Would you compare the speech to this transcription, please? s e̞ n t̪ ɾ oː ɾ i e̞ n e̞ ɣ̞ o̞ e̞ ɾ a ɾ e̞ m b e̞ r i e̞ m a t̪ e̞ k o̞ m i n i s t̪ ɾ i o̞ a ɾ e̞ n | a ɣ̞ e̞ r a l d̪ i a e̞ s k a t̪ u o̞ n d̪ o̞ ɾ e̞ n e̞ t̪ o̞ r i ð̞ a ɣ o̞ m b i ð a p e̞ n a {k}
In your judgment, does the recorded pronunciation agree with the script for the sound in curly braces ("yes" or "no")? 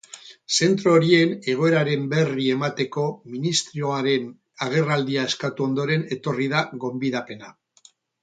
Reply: no